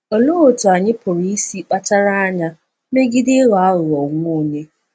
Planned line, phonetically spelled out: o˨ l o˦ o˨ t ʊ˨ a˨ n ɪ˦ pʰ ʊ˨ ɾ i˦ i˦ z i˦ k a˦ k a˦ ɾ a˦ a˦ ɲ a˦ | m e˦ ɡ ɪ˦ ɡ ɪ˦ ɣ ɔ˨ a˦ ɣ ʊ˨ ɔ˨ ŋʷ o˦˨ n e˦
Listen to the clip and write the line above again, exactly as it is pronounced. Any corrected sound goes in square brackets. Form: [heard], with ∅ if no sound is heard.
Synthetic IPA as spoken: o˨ l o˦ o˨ t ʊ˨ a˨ [ɲ] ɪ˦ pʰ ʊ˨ ɾ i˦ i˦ [s] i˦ [k͡p] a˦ [t] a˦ ɾ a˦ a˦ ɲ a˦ | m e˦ ɡ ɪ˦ [d] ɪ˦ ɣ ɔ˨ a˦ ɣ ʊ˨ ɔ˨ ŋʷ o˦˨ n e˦